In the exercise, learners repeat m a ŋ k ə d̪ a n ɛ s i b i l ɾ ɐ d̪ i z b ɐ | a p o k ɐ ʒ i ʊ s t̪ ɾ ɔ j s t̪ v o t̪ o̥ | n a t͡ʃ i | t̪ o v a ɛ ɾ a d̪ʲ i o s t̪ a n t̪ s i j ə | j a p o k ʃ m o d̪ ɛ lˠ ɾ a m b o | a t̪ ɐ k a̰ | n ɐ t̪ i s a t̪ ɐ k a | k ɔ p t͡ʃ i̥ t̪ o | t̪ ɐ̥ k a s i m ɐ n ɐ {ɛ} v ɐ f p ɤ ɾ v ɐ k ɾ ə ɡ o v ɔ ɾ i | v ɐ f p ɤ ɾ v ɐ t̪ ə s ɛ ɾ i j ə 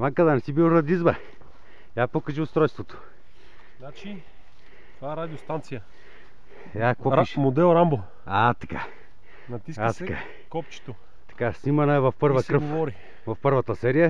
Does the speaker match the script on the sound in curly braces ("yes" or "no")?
yes